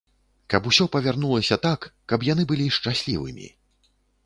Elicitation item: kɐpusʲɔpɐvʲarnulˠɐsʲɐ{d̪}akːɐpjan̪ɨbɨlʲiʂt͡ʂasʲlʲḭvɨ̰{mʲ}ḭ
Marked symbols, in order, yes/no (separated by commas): no, yes